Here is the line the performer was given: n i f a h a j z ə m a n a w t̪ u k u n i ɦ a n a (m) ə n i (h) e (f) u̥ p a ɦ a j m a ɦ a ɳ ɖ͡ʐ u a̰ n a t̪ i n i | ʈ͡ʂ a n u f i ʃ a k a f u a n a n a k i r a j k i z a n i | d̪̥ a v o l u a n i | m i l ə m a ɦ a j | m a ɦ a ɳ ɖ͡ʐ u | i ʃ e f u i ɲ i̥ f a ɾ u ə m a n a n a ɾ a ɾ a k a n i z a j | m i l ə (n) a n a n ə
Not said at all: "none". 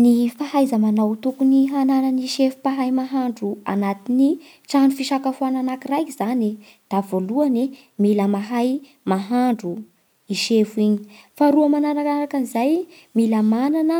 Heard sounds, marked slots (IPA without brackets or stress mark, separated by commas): n, ʃ, f, m